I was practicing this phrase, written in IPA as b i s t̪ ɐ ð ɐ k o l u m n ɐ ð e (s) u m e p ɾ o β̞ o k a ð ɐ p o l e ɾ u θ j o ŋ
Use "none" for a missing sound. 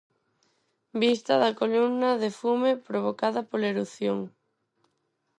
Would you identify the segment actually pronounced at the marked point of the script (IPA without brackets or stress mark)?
f